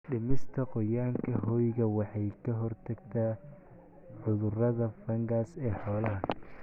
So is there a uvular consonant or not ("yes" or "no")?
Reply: yes